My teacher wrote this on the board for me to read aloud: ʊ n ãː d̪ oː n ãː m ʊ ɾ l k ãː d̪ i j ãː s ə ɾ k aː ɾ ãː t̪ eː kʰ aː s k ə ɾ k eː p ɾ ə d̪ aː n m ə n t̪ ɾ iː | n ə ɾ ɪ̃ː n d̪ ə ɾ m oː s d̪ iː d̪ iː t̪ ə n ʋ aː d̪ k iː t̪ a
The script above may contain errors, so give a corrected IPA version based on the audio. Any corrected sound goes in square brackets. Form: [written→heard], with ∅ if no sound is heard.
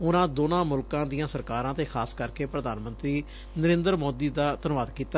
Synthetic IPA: ʊ n ãː d̪ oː n ãː m ʊ [ɾ→∅] l k ãː d̪ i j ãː s ə ɾ k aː ɾ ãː t̪ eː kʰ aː s k ə ɾ k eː p ɾ ə d̪ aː n m ə n t̪ ɾ iː | n ə ɾ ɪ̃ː n d̪ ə ɾ m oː [s→∅] d̪ iː d̪ [iː→aː] t̪ ə n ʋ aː d̪ k iː t̪ a

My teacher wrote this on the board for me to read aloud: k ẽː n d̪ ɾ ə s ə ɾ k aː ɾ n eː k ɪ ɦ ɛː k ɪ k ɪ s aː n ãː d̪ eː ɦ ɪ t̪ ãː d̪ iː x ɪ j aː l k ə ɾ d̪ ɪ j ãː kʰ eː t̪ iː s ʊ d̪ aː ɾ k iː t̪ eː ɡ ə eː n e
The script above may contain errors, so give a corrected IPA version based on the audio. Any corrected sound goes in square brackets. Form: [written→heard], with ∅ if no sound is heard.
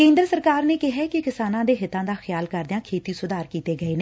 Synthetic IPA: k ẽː n d̪ ɾ ə s ə ɾ k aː ɾ n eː k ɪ ɦ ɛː k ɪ k ɪ s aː n ãː d̪ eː ɦ ɪ t̪ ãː d̪ [iː→aː] x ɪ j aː l k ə ɾ d̪ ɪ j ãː kʰ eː t̪ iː s ʊ d̪ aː ɾ k iː t̪ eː ɡ ə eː n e

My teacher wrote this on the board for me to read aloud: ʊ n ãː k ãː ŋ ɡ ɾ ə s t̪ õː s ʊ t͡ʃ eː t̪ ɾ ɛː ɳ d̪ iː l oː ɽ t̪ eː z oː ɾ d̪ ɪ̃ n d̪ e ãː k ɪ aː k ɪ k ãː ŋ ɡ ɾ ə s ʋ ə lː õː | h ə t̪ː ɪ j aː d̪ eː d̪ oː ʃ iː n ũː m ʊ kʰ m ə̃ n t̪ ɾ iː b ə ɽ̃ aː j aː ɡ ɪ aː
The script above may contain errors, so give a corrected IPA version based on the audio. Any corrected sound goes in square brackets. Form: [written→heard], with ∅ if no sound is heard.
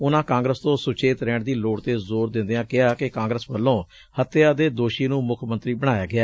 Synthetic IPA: ʊ n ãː k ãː ŋ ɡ ɾ ə s t̪ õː s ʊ t͡ʃ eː t̪ ɾ ɛː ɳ d̪ iː l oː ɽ t̪ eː z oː ɾ d̪ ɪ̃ n d̪ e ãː k ɪ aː k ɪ k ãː ŋ ɡ ɾ ə s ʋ ə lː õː | h ə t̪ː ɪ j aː d̪ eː d̪ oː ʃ iː n ũː m ʊ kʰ m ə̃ n t̪ ɾ iː b ə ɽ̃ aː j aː ɡ ɪ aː

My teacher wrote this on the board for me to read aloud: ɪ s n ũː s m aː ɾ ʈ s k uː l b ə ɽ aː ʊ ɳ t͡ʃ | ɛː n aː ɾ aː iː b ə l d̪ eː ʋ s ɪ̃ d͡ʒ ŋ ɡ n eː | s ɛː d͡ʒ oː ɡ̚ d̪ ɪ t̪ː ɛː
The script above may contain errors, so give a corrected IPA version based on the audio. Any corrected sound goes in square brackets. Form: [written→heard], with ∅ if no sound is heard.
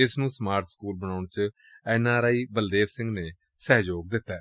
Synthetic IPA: ɪ s n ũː s m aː ɾ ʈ s k uː l b ə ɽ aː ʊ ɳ t͡ʃ | ɛː n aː ɾ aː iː b ə l d̪ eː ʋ s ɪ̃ [d͡ʒ→∅] ŋ ɡ n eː | s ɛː d͡ʒ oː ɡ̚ d̪ ɪ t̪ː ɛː

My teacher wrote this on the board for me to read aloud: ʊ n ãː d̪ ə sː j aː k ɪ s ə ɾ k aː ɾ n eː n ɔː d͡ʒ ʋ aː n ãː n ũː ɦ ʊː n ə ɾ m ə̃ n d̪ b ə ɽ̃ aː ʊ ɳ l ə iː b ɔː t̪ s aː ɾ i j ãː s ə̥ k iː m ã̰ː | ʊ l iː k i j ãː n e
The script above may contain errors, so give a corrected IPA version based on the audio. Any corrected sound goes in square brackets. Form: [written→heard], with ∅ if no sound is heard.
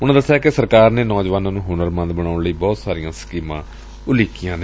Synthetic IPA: ʊ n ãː d̪ ə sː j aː k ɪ s ə ɾ k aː ɾ n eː n ɔː d͡ʒ ʋ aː n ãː n ũː ɦ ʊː n ə ɾ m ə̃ n d̪ b ə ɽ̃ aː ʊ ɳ l ə iː b ɔː t̪ s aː ɾ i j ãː s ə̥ k iː m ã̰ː | ʊ l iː k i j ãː n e

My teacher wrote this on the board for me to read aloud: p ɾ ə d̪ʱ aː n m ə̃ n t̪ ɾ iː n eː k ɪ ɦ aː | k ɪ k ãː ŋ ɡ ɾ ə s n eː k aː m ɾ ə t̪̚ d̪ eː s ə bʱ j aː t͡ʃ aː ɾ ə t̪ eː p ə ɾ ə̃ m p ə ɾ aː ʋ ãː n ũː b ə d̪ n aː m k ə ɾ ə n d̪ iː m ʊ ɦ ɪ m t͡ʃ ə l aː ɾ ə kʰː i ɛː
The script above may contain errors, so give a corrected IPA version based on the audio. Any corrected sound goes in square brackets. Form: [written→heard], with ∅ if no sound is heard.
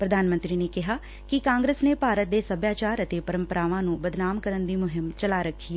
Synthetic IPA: p ɾ ə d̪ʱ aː n m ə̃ n t̪ ɾ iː n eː k ɪ ɦ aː | k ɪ k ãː ŋ ɡ ɾ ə s n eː [k→p] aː [m→∅] ɾ ə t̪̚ d̪ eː s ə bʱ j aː t͡ʃ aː ɾ ə t̪ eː p ə ɾ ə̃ m p ə ɾ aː ʋ ãː n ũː b ə d̪ n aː m k ə ɾ ə n d̪ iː m ʊ ɦ ɪ m t͡ʃ ə l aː ɾ ə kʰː i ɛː

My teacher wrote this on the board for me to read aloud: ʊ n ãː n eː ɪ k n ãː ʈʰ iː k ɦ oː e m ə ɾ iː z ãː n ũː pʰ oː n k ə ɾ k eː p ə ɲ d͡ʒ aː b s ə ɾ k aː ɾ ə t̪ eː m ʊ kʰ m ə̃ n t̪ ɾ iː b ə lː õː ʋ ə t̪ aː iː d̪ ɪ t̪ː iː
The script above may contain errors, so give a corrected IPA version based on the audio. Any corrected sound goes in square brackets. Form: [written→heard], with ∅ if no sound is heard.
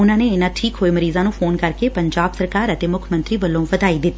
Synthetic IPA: ʊ n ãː n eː ɪ [k→∅] n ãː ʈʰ iː k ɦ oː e m ə ɾ iː z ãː n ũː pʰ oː n k ə ɾ k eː p ə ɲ d͡ʒ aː b s ə ɾ k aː ɾ ə t̪ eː m ʊ kʰ m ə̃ n t̪ ɾ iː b ə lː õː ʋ ə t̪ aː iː d̪ ɪ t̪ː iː

